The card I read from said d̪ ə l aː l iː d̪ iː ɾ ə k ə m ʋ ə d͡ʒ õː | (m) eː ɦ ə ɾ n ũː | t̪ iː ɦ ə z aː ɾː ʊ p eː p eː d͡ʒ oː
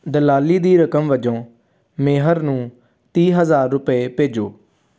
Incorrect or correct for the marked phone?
correct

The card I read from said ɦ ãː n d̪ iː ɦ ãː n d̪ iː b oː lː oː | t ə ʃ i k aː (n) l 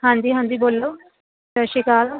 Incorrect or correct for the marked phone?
incorrect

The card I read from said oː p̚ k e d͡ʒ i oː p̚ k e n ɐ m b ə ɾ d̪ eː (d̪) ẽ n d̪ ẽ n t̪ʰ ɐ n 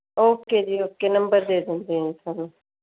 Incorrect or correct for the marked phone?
correct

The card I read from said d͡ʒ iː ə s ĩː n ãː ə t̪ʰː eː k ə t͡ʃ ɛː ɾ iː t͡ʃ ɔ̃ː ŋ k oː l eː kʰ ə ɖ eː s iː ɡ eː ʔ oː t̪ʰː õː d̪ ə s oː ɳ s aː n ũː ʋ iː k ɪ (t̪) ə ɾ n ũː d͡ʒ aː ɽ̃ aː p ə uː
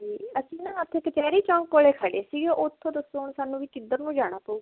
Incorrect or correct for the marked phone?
incorrect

